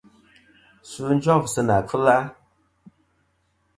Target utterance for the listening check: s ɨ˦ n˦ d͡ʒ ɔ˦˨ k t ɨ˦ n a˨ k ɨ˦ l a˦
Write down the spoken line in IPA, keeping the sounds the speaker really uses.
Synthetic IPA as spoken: s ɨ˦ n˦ d͡ʒ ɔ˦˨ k s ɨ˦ n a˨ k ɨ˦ l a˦